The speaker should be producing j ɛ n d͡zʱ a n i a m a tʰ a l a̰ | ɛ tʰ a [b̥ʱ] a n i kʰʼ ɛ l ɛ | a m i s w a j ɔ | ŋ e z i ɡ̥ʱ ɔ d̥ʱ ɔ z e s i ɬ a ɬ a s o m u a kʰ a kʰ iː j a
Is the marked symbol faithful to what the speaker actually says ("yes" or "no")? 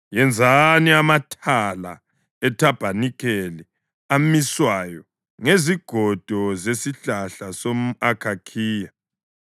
yes